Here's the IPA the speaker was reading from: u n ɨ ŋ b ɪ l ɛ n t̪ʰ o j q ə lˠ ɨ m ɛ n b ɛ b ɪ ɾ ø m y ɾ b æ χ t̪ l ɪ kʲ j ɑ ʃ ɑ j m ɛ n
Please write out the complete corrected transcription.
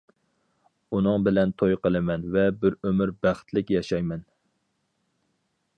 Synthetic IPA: u n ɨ ŋ b ɪ l ɛ n t̪ʰ o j q ə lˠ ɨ m ɛ n v ɛ b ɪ ɾ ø m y ɾ b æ χ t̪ l ɪ kʲ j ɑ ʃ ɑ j m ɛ n